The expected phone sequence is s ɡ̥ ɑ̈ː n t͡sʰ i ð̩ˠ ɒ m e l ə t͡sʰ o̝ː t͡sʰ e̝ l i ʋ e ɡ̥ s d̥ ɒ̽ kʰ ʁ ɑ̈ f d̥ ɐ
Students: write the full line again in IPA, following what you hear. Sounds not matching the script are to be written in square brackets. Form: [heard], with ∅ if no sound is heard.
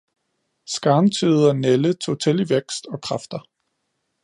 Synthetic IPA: s ɡ̥ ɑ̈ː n t͡sʰ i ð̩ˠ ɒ [n] e l ə t͡sʰ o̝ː t͡sʰ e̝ l i ʋ e ɡ̥ s d̥ ɒ̽ kʰ ʁ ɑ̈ f d̥ ɐ

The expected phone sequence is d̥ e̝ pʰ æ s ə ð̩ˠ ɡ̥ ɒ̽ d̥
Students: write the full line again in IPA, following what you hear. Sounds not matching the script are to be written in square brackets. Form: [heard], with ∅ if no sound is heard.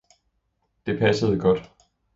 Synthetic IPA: d̥ e̝ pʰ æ s ə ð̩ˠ ɡ̥ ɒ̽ d̥

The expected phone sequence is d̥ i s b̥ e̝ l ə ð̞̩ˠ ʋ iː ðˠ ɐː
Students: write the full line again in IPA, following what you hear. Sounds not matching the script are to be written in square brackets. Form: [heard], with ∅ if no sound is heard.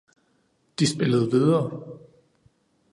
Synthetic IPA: d̥ i s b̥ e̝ l ə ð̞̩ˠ ʋ [i] ðˠ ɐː

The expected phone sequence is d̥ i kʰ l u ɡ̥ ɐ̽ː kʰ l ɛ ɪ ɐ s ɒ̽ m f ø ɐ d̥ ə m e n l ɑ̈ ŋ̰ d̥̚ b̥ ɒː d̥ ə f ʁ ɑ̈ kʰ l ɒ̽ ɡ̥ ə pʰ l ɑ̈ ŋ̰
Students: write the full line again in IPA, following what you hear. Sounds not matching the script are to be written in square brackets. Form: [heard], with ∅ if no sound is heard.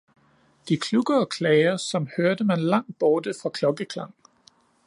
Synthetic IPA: d̥ i kʰ l u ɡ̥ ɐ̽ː kʰ l ɛ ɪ ɐ s ɒ̽ m [h] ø ɐ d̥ ə m [æ] n l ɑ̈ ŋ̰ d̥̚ b̥ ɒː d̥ ə f ʁ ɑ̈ kʰ l ɒ̽ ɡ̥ ə [kʰ] l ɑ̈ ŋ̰

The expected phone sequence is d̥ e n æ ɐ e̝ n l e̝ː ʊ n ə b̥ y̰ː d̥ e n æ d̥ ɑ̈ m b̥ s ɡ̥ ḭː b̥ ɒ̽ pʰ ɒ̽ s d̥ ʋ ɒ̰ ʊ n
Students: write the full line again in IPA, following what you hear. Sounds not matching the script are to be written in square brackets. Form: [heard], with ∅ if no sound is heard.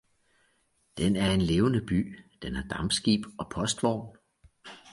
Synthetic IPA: d̥ e n æ ɐ e̝ n l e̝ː ʊ n ə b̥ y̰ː d̥ e n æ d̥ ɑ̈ m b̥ s ɡ̥ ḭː b̥ ɒ̽ pʰ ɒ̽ s d̥ ʋ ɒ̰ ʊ n

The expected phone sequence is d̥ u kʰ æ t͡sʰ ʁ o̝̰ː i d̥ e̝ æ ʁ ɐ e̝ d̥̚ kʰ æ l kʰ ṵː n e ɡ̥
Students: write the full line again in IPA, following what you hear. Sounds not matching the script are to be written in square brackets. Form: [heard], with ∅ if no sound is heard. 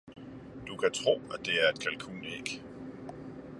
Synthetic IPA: d̥ u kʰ æ t͡sʰ ʁ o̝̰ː [æ] d̥ e̝ æ [∅] ɐ e̝ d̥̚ kʰ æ l kʰ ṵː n e ɡ̥

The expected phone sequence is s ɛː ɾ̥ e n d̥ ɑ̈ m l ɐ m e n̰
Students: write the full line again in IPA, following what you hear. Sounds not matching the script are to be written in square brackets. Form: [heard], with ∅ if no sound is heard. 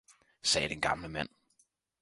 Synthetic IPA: s ɛː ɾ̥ e n [ɡ̥] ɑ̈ m l [ə] m [æ] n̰

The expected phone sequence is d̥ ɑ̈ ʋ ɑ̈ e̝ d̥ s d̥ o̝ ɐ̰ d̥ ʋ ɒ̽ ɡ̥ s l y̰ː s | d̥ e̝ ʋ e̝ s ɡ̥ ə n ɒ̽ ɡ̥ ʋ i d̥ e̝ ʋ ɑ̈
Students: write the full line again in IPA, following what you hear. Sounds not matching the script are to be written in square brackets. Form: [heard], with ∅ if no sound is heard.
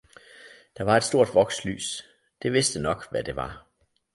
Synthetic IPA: d̥ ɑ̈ ʋ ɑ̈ e̝ d̥ s d̥ o̝ ɐ̰ d̥ ʋ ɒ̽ ɡ̥ s l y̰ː s | d̥ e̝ ʋ e̝ s [d̥] ə n ɒ̽ ɡ̥ ʋ [æ] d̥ e̝ ʋ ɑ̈

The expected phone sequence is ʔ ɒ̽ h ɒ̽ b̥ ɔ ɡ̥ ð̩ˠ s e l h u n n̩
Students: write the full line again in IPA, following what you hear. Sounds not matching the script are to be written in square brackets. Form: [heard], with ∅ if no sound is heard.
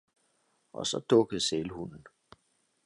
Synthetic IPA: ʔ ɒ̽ [s] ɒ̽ [d̥] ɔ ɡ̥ ð̩ˠ s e l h u n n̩

